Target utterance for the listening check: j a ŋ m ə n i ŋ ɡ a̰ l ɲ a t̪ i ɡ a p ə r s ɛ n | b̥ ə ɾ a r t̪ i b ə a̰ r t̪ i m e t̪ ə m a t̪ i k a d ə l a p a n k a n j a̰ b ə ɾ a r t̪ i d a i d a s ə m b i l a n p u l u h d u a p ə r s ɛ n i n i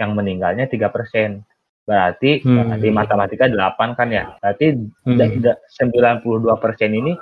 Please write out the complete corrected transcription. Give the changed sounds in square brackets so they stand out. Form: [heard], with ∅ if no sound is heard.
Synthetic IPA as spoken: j a ŋ m ə n i ŋ ɡ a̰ l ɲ a t̪ i ɡ a p ə r s ɛ n | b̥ ə ɾ a r t̪ i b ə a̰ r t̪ i m [a] t̪ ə m a t̪ i k a d ə l a p a n k a n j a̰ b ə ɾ a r t̪ i d a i d a s ə m b i l a n p u l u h d u a p ə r s ɛ n i n i